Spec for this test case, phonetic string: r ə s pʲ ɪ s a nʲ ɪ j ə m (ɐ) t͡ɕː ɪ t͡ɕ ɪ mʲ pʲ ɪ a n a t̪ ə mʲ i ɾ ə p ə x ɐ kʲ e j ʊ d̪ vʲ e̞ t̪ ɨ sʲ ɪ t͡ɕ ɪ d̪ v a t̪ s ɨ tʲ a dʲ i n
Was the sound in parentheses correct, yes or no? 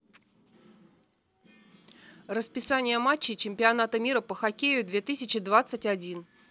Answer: no